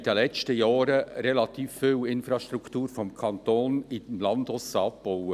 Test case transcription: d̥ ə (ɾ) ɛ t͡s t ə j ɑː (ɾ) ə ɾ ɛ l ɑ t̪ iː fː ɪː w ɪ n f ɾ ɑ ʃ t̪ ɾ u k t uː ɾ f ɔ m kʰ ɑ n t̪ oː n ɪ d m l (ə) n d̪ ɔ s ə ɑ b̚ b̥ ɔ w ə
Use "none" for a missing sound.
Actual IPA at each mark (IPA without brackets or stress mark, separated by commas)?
l, ɾ, ɑ